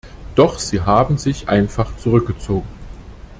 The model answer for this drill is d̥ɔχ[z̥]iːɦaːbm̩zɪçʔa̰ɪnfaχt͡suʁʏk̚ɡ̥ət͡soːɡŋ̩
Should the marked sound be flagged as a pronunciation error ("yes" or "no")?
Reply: no